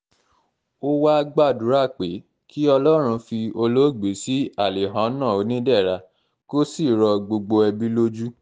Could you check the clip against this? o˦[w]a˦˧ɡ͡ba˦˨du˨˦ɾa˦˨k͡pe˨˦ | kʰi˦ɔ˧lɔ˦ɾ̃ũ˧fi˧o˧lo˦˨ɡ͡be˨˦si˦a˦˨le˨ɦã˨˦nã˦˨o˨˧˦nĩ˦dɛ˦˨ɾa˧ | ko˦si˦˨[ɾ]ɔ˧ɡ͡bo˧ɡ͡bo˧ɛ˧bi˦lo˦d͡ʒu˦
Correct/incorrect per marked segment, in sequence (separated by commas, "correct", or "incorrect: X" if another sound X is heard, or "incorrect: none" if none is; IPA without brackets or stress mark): correct, correct